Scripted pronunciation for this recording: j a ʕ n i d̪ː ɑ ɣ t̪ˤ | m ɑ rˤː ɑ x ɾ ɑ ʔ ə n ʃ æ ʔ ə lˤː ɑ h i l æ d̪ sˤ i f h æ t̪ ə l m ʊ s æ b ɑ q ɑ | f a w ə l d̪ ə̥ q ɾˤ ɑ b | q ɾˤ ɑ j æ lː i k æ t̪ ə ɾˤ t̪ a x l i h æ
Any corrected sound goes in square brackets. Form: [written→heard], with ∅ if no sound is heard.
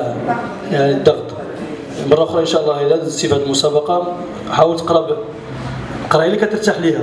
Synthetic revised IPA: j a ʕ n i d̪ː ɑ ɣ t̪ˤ | m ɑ rˤː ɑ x ɾ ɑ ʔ ə n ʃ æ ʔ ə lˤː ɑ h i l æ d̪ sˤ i f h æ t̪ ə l m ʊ s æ b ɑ q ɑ | [f→ħ] a w ə l [d̪→t̪] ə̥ q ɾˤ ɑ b | q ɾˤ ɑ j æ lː i k æ t̪ ə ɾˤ t̪ a [x→ħ] l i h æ